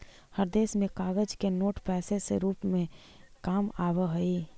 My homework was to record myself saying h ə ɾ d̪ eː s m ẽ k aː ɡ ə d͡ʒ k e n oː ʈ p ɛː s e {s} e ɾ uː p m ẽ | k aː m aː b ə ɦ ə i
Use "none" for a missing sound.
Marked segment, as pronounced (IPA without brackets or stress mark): s